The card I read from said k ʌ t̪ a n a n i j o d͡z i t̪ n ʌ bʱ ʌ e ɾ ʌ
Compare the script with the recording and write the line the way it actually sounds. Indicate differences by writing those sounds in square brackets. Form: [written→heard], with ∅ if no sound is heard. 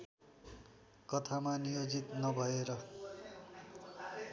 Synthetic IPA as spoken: k ʌ [t̪→t̪ʰ] a [n→m] a n i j o d͡z i t̪ n ʌ bʱ ʌ e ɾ ʌ